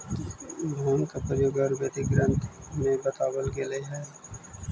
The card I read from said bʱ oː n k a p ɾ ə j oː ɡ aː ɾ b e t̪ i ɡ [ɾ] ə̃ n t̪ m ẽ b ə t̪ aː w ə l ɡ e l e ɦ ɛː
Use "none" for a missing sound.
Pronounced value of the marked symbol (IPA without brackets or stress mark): ɾ